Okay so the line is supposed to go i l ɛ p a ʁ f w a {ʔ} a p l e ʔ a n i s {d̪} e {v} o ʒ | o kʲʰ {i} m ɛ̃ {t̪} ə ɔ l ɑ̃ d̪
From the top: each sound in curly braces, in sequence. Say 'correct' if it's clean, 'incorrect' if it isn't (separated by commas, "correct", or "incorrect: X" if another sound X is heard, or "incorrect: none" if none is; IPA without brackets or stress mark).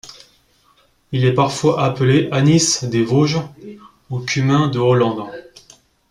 correct, correct, correct, incorrect: y, incorrect: d̪